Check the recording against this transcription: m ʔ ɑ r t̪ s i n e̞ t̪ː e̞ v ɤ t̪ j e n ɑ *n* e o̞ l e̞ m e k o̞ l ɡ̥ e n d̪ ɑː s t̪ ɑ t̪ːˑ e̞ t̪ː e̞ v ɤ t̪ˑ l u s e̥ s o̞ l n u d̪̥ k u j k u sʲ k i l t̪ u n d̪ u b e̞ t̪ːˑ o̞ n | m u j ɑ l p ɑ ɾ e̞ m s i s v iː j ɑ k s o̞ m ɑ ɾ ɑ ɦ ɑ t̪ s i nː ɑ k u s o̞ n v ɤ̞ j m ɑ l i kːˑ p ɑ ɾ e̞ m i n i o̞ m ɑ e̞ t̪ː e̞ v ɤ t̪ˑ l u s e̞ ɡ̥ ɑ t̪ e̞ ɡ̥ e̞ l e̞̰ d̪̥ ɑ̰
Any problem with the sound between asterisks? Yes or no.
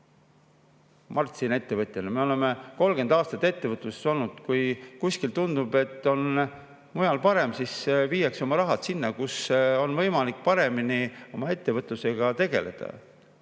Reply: yes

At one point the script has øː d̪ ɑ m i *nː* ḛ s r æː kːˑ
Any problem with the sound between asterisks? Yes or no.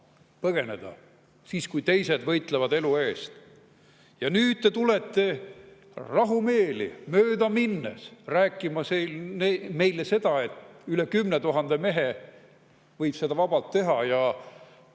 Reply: no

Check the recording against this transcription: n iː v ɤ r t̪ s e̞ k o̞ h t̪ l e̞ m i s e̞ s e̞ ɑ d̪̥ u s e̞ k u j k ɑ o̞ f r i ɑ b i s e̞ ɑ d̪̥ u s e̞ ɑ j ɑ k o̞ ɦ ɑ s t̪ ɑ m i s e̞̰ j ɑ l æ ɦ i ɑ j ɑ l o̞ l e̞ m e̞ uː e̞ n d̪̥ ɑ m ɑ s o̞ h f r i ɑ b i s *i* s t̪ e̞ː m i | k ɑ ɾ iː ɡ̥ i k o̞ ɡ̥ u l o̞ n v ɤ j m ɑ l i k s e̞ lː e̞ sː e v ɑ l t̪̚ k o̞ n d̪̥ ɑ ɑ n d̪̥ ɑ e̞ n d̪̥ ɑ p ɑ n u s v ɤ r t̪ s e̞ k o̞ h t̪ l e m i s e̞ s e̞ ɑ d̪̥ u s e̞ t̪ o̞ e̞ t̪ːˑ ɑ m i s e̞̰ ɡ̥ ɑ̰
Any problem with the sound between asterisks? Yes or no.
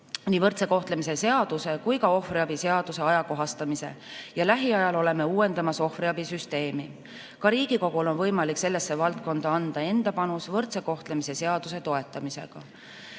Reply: yes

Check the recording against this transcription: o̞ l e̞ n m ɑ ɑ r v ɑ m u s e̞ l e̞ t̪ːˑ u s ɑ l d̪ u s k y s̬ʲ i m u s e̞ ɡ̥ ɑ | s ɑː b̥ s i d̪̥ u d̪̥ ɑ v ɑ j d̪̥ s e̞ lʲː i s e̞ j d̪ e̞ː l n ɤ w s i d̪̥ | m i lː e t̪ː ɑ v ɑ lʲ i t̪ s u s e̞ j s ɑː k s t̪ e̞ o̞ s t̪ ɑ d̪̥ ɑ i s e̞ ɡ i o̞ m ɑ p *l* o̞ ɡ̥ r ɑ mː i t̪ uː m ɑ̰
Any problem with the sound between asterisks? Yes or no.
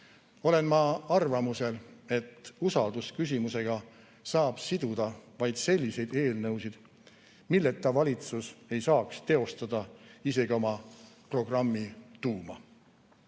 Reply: yes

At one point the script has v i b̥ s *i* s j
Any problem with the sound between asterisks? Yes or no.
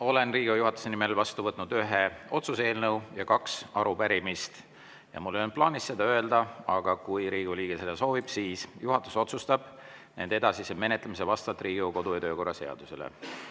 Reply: yes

